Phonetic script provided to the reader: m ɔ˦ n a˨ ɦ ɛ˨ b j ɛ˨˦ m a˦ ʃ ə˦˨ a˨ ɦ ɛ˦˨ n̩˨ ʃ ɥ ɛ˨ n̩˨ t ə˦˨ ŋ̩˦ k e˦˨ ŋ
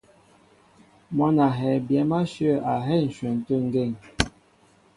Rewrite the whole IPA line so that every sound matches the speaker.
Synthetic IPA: m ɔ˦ n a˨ ɦ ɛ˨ b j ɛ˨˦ m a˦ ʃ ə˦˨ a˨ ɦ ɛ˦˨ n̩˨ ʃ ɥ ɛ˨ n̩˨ t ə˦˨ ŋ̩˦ ɡ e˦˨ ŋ